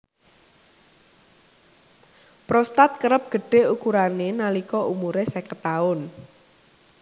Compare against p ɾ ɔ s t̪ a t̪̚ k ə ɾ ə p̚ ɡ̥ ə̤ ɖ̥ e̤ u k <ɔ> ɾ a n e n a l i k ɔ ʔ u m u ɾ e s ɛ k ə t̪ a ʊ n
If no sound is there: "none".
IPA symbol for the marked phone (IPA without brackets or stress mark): u